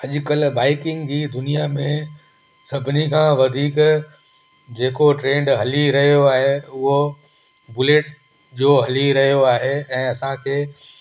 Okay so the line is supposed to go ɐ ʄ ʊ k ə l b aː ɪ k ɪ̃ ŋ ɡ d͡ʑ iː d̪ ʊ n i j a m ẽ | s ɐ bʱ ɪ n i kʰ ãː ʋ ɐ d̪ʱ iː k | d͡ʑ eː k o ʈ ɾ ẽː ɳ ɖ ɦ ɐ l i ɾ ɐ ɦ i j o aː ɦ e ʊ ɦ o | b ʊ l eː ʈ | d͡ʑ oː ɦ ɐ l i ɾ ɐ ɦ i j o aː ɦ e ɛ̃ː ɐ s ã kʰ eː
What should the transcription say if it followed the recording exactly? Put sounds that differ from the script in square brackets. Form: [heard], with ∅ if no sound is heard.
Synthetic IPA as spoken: ɐ ʄ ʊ k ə l b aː ɪ k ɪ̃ ŋ ɡ d͡ʑ iː d̪ ʊ n i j a m ẽ | s ɐ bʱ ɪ n i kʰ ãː ʋ ɐ d̪ʱ iː k | d͡ʑ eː k o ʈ ɾ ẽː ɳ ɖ ɦ ɐ l i ɾ ɐ ɦ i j o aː ɦ e ʊ ɦ o | b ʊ l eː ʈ | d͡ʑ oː ɦ ɐ l i ɾ ɐ ɦ i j o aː ɦ e ɛ̃ː ɐ s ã kʰ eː